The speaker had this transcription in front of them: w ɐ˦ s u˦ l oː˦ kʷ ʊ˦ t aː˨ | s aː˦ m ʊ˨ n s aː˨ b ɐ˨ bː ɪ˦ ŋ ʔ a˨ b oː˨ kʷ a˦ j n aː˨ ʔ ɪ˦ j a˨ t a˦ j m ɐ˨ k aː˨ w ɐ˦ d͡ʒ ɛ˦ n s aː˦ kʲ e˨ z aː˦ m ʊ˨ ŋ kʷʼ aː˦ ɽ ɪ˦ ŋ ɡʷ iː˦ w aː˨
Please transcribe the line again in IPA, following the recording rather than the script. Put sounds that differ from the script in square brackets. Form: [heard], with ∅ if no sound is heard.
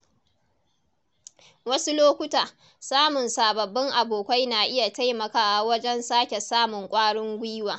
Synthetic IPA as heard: w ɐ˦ s u˦ l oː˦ kʷ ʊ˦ t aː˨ | s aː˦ m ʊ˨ n s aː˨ b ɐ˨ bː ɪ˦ ŋ ʔ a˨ b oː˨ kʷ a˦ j n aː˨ ʔ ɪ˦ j a˨ t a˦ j m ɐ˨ k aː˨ w ɐ˦ d͡ʒ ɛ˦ n s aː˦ kʲ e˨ [s] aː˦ m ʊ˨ ŋ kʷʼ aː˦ ɽ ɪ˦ ŋ ɡʷ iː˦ w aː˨

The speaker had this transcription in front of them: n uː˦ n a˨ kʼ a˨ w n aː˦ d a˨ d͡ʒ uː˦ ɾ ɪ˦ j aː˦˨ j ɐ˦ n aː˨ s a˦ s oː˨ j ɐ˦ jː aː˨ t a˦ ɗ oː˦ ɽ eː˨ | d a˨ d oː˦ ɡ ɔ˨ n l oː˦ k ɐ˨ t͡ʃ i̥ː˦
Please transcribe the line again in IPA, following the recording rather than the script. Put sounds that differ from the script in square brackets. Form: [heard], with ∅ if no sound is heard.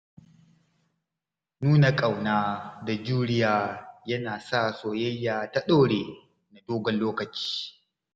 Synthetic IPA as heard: n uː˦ n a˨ kʼ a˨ w n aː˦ d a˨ d͡ʒ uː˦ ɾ ɪ˦ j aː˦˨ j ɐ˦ n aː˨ s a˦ s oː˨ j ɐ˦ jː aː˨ t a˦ ɗ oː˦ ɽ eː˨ | [n] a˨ d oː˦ ɡ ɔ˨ n l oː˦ k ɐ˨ t͡ʃ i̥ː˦

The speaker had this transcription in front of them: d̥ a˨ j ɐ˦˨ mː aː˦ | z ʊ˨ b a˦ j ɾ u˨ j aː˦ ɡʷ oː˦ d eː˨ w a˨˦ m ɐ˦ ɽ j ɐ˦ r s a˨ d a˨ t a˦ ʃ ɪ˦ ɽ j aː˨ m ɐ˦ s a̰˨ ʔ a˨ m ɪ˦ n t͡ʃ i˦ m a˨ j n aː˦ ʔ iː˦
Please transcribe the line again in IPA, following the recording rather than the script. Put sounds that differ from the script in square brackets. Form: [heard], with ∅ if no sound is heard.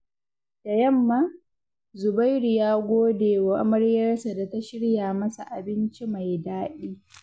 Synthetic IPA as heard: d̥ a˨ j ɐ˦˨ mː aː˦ | z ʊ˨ b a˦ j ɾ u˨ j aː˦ ɡʷ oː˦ d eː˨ w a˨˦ m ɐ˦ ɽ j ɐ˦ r s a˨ d a˨ t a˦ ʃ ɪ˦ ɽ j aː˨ m ɐ˦ s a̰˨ ʔ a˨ [b] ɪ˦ n t͡ʃ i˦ m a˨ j [d] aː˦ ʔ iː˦

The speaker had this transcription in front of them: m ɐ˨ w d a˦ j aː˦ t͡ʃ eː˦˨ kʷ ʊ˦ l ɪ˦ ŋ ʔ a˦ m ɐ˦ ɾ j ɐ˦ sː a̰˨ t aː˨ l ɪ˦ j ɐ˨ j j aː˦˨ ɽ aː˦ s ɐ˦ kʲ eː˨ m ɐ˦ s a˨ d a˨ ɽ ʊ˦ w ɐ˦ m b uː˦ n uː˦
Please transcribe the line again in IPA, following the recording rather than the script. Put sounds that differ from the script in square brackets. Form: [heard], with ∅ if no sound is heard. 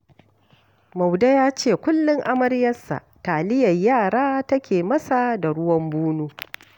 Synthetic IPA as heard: m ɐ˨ w d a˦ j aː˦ t͡ʃ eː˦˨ kʷ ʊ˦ [lː] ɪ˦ ŋ ʔ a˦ m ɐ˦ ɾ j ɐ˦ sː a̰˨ t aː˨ l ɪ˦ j ɐ˨ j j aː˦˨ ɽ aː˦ [t] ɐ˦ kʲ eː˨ m ɐ˦ s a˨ d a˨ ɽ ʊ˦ w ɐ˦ m b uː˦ n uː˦

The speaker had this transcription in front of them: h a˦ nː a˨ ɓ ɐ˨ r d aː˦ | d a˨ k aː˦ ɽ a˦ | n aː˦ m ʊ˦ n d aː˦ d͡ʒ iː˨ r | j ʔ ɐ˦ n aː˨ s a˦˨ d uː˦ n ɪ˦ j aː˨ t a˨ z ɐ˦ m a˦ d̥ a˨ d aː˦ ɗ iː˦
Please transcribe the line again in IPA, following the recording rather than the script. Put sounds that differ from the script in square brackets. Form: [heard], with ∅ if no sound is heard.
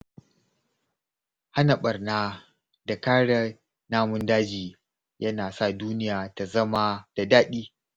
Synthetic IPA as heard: h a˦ [n] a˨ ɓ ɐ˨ r [n] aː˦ | d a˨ k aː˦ ɽ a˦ | n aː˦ m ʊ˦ n d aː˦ d͡ʒ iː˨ [∅] | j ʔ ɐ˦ n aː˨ s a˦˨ d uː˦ n ɪ˦ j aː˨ t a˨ z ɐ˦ m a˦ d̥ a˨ d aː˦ ɗ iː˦

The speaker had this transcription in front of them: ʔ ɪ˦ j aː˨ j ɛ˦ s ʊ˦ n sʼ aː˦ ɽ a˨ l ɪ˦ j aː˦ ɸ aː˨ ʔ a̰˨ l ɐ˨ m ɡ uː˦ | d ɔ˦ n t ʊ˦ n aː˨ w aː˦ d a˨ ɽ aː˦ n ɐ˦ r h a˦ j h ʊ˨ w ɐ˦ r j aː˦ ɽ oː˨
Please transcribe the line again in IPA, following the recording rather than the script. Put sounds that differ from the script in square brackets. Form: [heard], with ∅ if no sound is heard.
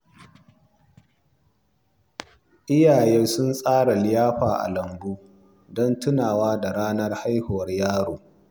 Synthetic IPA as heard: ʔ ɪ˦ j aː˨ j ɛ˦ s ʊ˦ n sʼ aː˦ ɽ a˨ l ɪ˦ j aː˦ ɸ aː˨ ʔ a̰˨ l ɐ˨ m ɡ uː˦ | d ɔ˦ n t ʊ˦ n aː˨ w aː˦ d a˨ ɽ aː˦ n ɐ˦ r h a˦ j h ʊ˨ w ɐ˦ r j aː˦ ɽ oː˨

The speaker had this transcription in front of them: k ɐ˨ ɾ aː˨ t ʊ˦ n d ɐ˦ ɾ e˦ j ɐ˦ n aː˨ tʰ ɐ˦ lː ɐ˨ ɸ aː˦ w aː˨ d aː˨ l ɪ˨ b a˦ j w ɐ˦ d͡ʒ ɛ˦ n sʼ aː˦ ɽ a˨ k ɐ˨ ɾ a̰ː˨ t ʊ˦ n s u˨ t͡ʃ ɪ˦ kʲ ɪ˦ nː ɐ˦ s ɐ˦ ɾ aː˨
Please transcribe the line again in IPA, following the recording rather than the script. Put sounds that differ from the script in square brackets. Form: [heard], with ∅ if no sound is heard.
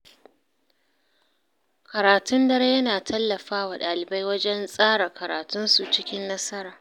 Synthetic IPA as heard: k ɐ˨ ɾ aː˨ t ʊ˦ n d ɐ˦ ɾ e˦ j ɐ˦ n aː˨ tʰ ɐ˦ lː ɐ˨ ɸ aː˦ w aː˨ [ɗ] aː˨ l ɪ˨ b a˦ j w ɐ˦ d͡ʒ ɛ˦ n sʼ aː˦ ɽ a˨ k ɐ˨ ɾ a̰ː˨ t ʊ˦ n s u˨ t͡ʃ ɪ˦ kʲ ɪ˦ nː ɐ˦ s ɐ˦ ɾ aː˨

